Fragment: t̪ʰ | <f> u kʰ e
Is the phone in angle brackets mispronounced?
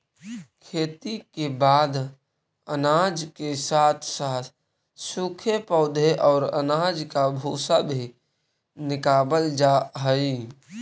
yes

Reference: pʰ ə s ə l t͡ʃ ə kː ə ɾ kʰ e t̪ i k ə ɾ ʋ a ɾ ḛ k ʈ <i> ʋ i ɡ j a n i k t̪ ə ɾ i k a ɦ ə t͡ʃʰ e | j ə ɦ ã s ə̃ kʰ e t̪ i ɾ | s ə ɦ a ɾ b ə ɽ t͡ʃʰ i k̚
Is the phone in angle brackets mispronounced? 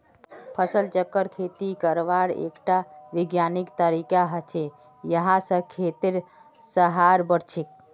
yes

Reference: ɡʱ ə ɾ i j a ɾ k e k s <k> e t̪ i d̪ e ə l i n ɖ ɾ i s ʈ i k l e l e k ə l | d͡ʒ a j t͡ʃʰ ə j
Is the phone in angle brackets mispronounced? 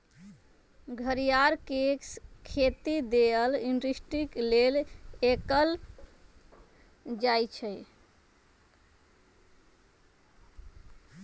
yes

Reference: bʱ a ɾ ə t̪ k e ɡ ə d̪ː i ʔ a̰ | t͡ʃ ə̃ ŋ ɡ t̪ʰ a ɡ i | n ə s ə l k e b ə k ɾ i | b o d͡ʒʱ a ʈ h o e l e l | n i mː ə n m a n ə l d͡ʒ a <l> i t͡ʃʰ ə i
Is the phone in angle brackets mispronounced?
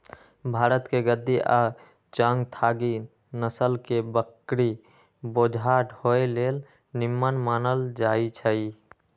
yes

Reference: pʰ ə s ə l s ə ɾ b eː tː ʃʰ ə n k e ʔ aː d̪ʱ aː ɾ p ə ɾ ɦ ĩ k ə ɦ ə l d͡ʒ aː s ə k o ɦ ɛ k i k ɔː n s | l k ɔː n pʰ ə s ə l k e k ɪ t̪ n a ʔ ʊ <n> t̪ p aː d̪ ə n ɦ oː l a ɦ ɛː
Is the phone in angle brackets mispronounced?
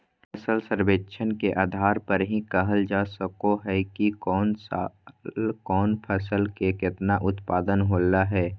yes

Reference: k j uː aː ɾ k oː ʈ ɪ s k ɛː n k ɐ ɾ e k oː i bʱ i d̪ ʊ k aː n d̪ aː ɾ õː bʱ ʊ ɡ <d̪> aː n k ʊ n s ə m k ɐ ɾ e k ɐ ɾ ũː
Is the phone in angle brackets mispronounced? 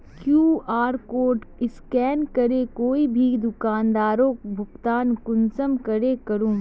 yes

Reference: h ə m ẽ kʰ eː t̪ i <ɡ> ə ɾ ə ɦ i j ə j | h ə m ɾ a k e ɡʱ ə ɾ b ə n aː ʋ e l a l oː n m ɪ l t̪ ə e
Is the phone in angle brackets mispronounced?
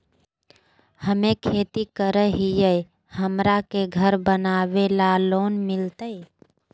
yes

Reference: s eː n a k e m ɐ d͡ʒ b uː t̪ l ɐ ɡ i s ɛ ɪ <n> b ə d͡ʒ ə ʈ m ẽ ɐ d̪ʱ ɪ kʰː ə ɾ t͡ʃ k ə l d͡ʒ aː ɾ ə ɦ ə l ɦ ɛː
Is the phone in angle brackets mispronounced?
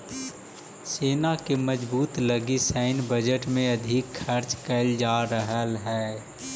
no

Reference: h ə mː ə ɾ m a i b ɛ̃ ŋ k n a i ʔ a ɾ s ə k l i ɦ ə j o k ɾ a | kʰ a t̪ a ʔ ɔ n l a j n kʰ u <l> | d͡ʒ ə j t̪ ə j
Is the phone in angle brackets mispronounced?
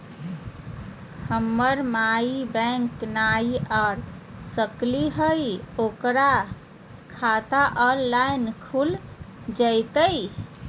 no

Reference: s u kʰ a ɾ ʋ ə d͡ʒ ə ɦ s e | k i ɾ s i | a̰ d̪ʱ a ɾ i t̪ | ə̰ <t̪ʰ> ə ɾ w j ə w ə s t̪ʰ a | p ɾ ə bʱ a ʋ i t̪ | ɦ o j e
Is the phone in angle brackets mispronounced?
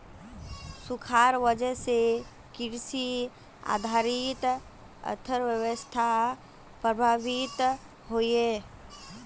no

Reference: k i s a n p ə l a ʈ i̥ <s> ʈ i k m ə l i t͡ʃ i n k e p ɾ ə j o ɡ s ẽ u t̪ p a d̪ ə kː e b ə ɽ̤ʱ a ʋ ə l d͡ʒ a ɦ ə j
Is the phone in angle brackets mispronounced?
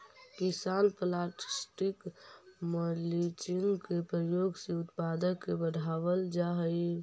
no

